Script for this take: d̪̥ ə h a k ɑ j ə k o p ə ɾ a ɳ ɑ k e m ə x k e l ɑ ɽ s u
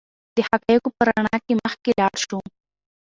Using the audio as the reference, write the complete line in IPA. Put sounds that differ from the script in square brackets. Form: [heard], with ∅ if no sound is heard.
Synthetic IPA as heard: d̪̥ ə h a k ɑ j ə k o p ə ɾ a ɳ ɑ k e m ə x k e l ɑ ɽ [ʃ] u